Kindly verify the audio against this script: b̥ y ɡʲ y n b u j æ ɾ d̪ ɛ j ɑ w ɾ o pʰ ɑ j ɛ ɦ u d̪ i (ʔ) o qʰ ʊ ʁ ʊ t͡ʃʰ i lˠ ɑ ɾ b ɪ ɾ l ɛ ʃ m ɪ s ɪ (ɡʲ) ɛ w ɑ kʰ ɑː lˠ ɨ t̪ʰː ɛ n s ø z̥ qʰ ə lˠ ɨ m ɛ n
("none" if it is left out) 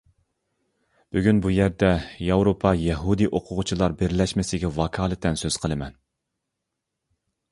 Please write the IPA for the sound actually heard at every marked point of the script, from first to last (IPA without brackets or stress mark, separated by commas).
ʔ, ɡʲ